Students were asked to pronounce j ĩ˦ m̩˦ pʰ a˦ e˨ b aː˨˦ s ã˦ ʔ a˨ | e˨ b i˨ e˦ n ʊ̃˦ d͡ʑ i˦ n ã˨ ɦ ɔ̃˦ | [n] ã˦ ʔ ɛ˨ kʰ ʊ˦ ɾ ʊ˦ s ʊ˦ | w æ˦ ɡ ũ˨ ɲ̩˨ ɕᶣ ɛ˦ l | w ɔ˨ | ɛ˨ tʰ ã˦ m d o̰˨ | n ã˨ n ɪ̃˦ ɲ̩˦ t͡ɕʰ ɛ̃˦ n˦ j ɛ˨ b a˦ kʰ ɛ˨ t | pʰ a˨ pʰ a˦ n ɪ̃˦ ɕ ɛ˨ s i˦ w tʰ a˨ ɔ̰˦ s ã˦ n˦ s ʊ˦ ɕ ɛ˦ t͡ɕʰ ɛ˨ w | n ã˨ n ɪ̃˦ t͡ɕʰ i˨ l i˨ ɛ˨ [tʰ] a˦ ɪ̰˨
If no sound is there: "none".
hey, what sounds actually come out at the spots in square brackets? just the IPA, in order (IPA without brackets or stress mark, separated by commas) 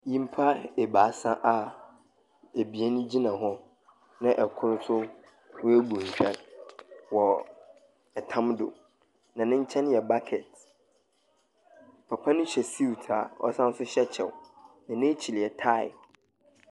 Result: n, tʰ